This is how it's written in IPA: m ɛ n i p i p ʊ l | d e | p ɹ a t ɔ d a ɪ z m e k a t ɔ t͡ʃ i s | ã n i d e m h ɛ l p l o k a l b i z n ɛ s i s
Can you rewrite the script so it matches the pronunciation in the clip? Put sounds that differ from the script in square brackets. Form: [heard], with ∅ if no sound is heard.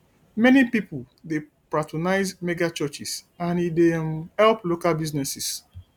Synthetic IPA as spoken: m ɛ n i p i p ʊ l | d e | p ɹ a t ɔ [n] a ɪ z m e [ɡ] a [t͡ʃ] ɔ t͡ʃ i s | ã n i d e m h ɛ l p l o k a l b i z n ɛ s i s